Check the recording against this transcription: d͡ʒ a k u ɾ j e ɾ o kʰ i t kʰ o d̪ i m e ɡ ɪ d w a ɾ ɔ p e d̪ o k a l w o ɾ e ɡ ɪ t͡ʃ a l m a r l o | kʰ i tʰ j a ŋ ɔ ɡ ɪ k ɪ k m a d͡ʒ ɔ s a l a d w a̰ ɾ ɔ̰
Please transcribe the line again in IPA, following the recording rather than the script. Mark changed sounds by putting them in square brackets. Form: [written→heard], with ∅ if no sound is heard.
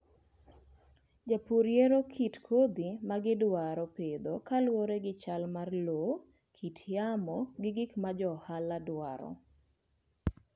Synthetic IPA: d͡ʒ a [k→p] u ɾ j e ɾ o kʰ i t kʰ o d̪ i m [e→a] ɡ ɪ d w a ɾ ɔ p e d̪ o k a l w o ɾ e ɡ ɪ t͡ʃ a l m a r l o | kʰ i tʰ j a [ŋ→m] ɔ ɡ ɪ [k→ɡ] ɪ k m a d͡ʒ ɔ [s→h] a l a d w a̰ ɾ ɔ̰